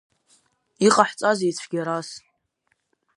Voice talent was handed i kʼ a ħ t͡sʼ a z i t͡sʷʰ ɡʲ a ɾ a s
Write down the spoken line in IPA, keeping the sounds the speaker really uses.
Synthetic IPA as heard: i qʼ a ħ t͡sʼ a z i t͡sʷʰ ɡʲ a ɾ a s